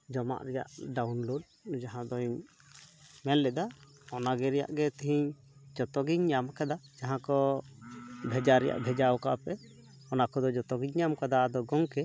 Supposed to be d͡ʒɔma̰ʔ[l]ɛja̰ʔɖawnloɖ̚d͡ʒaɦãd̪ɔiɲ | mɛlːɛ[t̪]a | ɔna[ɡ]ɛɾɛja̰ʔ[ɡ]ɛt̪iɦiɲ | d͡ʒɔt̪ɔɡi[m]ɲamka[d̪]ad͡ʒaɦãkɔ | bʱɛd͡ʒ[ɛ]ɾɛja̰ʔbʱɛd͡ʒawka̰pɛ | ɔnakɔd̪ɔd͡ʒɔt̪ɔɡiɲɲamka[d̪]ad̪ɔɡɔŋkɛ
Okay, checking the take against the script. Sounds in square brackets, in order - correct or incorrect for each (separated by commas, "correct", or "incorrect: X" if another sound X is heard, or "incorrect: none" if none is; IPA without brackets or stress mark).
incorrect: ɾ, incorrect: d̪, correct, correct, incorrect: ɲ, correct, incorrect: a, correct